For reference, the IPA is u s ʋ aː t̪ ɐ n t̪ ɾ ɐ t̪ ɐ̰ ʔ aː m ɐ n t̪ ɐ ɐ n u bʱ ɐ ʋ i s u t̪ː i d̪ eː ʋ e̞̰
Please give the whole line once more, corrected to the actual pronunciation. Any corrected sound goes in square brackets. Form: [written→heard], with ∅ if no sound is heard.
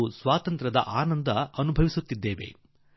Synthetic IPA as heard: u s ʋ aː t̪ ɐ n t̪ ɾ ɐ [t̪→d̪] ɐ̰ ʔ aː [m→n] ɐ n [t̪→d̪] ɐ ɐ n u bʱ ɐ ʋ i s u t̪ː i [d̪→d̪ː] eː ʋ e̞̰

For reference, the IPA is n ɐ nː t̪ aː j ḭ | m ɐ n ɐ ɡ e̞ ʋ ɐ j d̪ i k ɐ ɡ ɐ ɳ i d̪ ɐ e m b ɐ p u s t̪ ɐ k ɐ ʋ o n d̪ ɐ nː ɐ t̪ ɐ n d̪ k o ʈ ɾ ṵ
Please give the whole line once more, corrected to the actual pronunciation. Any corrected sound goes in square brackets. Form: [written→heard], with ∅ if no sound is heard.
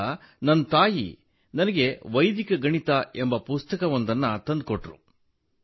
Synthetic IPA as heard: n ɐ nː t̪ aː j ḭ | [m→n] ɐ n ɐ ɡ e̞ ʋ ɐ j d̪ i k ɐ ɡ ɐ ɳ i [d̪→t̪] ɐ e m b ɐ p u s t̪ ɐ k ɐ ʋ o n d̪ ɐ nː ɐ t̪ ɐ n d̪ k o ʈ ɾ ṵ

